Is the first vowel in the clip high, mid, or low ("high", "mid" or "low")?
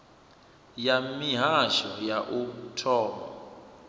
low